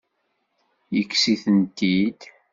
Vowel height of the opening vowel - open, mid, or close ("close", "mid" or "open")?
mid